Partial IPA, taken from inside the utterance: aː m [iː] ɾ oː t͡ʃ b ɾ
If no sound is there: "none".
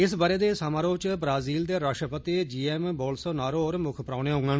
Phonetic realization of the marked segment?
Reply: aː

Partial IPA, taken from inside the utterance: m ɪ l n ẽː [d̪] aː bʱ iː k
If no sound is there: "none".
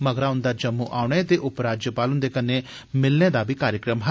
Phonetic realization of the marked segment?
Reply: d̪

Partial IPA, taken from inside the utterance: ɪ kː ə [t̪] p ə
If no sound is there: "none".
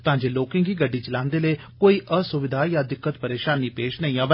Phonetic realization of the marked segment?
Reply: t̪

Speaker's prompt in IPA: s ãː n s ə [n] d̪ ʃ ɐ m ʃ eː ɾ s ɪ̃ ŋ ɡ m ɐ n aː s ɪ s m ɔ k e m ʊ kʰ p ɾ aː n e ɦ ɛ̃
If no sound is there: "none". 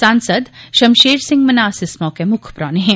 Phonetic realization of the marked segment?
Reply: none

